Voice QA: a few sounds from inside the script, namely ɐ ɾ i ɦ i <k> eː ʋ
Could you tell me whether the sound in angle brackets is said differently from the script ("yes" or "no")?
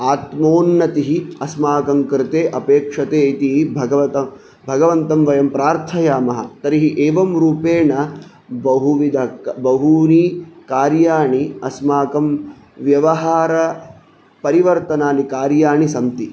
yes